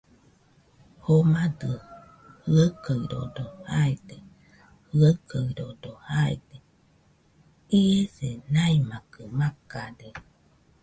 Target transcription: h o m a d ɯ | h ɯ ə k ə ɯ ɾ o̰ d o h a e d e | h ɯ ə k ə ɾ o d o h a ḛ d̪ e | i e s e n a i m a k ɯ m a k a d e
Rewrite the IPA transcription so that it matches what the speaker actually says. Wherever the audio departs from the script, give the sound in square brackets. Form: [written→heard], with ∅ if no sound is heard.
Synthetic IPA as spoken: h o m a d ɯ | h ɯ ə k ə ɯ ɾ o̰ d o h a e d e | h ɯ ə k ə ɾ o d o h a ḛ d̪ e | i e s e n a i m a k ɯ m a k a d e

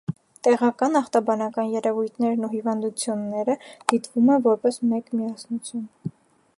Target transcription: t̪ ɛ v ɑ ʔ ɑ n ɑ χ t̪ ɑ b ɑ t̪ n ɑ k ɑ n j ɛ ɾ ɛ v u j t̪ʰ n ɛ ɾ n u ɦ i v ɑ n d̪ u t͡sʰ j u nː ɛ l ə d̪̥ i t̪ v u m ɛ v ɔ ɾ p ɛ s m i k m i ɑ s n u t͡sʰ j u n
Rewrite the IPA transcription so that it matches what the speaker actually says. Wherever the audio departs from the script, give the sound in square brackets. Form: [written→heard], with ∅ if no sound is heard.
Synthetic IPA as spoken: t̪ ɛ [v→ʁ] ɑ [ʔ→k] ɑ n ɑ χ t̪ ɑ b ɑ [t̪→∅] n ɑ k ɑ n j ɛ ɾ ɛ v u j t̪ʰ n ɛ ɾ n u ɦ i v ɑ n d̪ u t͡sʰ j u nː ɛ [l→ɾ] ə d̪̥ i t̪ v u m ɛ v ɔ ɾ p ɛ s m [i→ɛ] k m i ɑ s n u t͡sʰ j u n

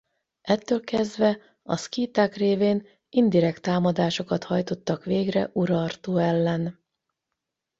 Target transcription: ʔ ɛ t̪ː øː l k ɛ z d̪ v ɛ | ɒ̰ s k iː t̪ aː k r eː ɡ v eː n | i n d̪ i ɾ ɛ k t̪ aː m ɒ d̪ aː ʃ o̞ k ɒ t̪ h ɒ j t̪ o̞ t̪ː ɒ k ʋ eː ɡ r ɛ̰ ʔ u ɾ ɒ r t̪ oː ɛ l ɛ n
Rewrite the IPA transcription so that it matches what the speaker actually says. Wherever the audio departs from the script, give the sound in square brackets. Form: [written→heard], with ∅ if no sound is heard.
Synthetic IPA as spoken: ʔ ɛ t̪ː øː l k ɛ z d̪ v ɛ | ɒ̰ s k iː t̪ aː k r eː [ɡ→∅] v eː n | i n d̪ i ɾ ɛ k t̪ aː m ɒ d̪ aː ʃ o̞ k ɒ t̪ h ɒ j t̪ o̞ t̪ː ɒ k ʋ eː ɡ r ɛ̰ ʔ u ɾ ɒ r t̪ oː ɛ [l→lː] ɛ n

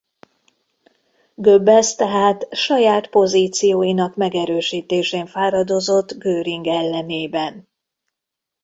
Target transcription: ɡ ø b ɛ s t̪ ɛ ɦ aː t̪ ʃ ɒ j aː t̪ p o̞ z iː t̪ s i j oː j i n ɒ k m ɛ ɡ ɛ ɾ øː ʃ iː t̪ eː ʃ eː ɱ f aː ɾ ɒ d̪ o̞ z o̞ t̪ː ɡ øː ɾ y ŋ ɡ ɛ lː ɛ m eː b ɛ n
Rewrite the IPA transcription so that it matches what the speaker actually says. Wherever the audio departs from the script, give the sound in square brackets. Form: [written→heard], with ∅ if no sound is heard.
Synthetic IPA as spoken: ɡ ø b ɛ s t̪ ɛ ɦ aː t̪ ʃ ɒ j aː t̪ p o̞ z iː t̪ s i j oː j i n ɒ k m ɛ ɡ ɛ ɾ øː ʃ iː t̪ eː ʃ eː ɱ f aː ɾ ɒ d̪ o̞ z o̞ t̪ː ɡ øː ɾ [y→i] ŋ ɡ ɛ lː ɛ [m→n] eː b ɛ n

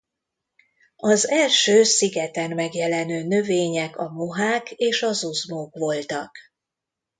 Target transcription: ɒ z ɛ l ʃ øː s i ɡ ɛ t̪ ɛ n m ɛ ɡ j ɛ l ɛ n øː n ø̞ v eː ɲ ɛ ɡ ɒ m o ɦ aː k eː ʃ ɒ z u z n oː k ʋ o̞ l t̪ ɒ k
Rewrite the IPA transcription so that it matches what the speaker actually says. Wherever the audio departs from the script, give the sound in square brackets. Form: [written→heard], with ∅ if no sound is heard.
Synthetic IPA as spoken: ɒ z ɛ l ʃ øː s i ɡ ɛ t̪ ɛ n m ɛ ɡ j ɛ l ɛ n øː n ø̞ v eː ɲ ɛ [ɡ→k] ɒ m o ɦ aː k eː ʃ ɒ z u z [n→m] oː k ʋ o̞ l t̪ ɒ k

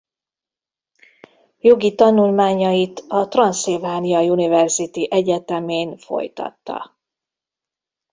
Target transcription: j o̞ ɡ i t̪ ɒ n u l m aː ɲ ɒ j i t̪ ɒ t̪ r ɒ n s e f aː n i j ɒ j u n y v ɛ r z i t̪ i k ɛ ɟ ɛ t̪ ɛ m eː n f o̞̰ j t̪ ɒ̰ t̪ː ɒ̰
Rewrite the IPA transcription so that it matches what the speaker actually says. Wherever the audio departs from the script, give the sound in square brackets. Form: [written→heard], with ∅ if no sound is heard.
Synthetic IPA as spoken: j o̞ ɡ i t̪ ɒ n u l m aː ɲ ɒ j i t̪ ɒ t̪ r ɒ n s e [f→v] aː n i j ɒ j u n [y→i] v ɛ r z i t̪ i [k→ʔ] ɛ ɟ ɛ t̪ ɛ m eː n f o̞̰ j t̪ ɒ̰ t̪ː ɒ̰

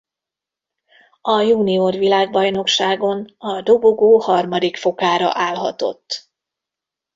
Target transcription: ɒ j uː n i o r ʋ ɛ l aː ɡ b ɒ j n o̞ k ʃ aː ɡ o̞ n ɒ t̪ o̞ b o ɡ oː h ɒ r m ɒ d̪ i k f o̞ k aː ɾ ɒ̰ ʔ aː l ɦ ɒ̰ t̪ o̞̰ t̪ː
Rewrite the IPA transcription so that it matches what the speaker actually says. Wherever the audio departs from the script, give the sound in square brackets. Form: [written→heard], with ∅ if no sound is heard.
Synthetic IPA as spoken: ɒ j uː n i o r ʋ [ɛ→i] l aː ɡ b ɒ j n o̞ k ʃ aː ɡ o̞ n ɒ [t̪→d̪] o̞ b o ɡ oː h ɒ r m ɒ d̪ i k f o̞ k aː ɾ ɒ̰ ʔ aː l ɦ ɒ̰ t̪ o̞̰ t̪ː

